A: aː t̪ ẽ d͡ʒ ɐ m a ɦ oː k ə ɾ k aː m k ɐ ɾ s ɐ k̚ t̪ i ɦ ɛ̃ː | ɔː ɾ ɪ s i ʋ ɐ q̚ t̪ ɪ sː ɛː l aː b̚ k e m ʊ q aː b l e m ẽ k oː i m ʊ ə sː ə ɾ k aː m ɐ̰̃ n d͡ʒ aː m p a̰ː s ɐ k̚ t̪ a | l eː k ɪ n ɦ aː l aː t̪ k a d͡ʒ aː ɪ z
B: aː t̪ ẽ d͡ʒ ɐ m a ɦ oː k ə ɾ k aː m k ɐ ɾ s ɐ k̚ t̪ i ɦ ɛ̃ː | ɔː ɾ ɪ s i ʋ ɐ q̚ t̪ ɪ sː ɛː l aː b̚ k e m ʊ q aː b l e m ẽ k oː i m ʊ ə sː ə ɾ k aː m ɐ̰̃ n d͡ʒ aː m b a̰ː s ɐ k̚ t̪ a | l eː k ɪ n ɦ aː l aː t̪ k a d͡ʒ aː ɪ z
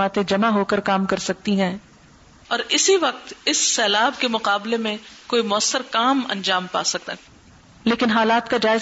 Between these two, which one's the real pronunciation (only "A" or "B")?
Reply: A